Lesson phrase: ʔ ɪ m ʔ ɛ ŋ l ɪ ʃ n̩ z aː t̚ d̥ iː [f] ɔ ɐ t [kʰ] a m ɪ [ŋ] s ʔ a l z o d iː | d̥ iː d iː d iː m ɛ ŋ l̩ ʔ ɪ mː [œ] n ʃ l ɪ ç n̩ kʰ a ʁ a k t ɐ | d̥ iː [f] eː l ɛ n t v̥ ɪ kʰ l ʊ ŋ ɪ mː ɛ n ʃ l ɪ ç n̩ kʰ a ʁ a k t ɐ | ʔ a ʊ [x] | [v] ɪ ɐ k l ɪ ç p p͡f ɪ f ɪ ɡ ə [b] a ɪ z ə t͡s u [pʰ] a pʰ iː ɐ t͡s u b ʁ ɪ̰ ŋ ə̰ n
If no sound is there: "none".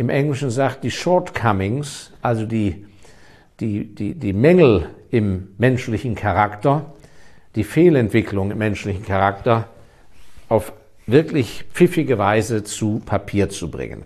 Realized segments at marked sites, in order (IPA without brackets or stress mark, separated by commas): ʃ, kʰ, ŋ, ɛ, f, f, v, v, pʰ